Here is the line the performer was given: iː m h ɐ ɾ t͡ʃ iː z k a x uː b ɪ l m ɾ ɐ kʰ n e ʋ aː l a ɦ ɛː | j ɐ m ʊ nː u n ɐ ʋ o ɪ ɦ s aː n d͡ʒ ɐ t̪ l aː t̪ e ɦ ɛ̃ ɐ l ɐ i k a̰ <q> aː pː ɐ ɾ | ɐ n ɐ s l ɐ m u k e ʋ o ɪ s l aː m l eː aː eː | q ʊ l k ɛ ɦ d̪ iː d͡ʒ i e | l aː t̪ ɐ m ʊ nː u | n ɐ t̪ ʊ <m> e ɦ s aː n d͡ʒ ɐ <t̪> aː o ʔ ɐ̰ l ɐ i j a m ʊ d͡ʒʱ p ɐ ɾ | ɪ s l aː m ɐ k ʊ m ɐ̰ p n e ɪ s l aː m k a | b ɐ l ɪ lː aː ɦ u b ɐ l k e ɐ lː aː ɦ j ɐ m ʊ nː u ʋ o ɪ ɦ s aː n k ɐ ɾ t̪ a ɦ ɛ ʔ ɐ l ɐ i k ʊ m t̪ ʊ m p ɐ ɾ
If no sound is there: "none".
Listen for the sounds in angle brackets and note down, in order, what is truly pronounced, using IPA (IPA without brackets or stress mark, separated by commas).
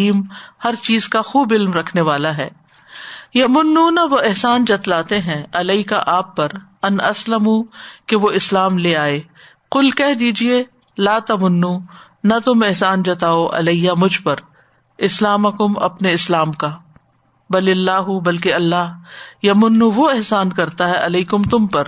ʔ, m, t̪